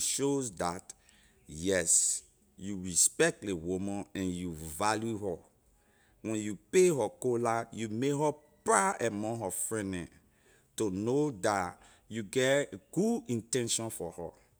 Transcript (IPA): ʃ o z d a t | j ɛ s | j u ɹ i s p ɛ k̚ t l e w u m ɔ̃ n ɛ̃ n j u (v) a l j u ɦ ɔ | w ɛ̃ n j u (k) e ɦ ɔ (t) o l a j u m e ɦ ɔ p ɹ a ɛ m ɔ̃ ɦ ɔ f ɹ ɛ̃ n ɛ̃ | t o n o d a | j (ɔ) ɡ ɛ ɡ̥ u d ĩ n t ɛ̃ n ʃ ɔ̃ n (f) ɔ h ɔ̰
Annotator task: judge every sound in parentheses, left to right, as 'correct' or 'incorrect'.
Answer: correct, incorrect, incorrect, incorrect, correct

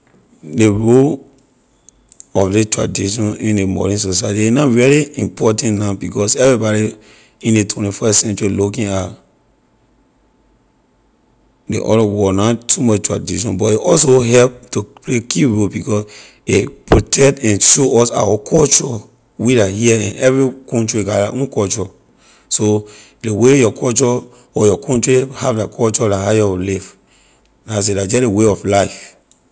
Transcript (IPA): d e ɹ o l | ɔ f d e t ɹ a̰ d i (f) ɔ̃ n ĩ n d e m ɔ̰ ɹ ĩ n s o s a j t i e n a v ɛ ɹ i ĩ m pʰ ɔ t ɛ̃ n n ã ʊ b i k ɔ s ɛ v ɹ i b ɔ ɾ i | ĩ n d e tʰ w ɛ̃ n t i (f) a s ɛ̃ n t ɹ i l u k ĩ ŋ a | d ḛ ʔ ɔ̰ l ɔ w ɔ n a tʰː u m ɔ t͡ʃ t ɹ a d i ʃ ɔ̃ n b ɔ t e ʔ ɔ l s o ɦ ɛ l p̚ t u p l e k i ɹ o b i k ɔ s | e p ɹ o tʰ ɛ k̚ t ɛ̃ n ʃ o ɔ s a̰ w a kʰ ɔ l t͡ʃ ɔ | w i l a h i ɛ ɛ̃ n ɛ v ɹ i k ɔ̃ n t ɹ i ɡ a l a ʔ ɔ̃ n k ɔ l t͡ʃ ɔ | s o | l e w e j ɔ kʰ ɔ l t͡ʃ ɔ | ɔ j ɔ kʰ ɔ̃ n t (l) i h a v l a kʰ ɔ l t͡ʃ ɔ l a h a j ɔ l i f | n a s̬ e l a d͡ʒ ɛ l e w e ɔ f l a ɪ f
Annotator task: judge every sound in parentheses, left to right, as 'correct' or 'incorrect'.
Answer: incorrect, correct, incorrect

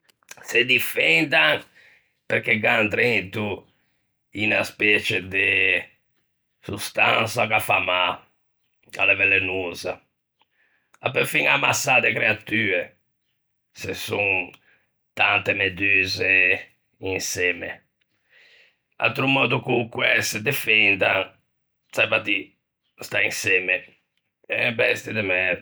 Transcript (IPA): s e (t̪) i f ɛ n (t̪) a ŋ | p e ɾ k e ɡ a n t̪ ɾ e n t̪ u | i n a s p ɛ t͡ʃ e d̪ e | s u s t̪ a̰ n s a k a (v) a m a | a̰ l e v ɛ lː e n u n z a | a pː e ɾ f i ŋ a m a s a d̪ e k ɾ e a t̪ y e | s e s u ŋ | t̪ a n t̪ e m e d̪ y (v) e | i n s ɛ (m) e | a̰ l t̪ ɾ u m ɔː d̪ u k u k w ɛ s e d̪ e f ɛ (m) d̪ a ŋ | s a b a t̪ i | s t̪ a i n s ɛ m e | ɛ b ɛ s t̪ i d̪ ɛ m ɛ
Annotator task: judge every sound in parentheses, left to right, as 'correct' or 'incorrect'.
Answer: incorrect, incorrect, incorrect, incorrect, correct, incorrect

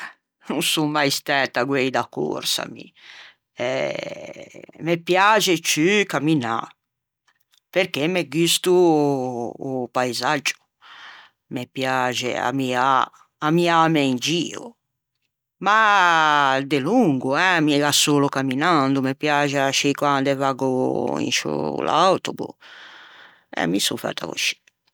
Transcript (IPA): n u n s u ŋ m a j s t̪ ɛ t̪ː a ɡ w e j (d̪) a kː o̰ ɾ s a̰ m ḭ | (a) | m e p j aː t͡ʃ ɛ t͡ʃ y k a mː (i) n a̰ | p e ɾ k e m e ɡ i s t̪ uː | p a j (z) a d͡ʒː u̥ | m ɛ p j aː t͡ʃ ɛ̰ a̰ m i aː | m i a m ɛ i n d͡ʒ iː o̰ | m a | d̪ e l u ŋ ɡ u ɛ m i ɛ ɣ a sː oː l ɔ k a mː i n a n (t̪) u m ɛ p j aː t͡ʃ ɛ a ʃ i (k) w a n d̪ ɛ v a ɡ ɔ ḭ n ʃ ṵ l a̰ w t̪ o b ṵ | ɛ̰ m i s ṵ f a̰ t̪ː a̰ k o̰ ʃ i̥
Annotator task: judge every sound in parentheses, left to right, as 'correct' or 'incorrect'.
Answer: correct, incorrect, correct, correct, incorrect, correct

